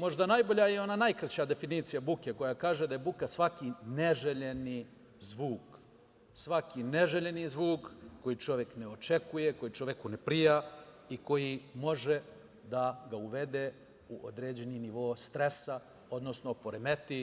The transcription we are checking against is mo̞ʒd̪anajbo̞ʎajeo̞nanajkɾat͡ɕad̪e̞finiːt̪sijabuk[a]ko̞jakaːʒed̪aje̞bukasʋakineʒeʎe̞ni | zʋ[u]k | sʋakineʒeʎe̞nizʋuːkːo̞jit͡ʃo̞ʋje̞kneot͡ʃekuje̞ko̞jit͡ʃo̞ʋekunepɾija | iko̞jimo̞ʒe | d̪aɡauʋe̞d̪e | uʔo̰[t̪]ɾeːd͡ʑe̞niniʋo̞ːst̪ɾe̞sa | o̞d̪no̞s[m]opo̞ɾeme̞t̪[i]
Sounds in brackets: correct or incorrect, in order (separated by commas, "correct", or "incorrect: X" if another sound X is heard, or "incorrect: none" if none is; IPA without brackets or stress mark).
incorrect: e, incorrect: uː, incorrect: d̪, incorrect: n, correct